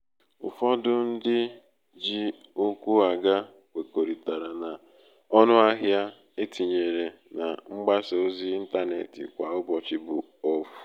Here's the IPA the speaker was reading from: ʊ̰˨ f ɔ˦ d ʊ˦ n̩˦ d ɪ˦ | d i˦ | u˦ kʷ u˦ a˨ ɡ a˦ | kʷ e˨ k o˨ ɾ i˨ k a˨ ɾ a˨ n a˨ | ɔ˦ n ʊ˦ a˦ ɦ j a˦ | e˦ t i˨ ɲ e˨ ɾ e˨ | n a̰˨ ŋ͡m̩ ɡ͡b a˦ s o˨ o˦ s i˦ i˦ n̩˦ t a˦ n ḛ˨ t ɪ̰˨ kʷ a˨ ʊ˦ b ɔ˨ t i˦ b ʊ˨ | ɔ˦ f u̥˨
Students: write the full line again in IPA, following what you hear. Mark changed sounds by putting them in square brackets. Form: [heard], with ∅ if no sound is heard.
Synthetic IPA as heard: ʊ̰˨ f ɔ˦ d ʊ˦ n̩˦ d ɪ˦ | [d͡ʒ] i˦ | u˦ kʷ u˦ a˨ ɡ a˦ | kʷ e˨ k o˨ ɾ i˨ [t] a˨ ɾ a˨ n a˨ | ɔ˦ n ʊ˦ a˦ ɦ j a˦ | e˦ t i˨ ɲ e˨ ɾ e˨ | n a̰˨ ŋ͡m̩ ɡ͡b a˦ s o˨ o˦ [z] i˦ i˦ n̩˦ t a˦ n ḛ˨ t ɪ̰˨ kʷ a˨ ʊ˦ b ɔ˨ [t͡ʃ] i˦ b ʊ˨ | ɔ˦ f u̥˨